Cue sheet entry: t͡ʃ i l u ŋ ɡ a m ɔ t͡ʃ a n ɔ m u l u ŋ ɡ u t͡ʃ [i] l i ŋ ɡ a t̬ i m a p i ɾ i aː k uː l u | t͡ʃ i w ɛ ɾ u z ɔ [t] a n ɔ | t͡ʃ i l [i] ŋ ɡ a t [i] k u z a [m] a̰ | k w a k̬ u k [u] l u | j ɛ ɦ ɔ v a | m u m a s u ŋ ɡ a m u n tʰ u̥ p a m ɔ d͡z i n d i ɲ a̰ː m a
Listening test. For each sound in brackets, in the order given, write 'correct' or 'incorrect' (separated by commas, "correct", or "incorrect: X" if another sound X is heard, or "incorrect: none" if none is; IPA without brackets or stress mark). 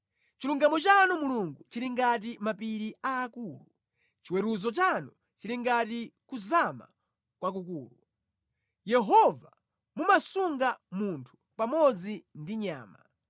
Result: correct, incorrect: t͡ʃ, correct, correct, correct, incorrect: uː